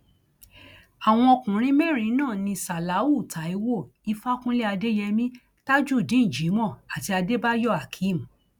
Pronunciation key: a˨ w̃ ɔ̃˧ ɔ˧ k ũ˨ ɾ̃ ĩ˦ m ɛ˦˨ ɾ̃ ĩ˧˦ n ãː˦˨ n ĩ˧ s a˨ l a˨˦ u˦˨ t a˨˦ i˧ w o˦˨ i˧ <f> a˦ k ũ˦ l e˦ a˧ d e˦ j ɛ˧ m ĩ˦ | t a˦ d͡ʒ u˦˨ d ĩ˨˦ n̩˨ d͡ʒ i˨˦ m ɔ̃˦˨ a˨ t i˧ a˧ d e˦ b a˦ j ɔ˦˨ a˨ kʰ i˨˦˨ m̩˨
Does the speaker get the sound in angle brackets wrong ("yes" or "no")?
no